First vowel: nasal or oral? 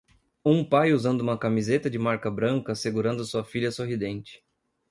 nasal